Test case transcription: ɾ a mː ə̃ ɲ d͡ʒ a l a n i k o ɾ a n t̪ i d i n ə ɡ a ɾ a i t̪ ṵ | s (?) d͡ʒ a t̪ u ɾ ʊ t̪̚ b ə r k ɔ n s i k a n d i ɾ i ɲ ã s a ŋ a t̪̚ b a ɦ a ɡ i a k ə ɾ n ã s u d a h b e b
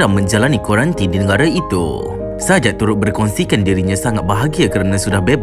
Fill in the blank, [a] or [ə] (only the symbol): a